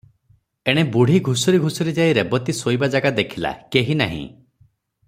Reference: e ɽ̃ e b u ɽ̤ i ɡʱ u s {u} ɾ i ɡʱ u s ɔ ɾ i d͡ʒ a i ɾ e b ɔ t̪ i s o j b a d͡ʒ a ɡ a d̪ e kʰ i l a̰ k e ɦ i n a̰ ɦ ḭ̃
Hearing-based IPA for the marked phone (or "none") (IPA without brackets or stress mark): ɔ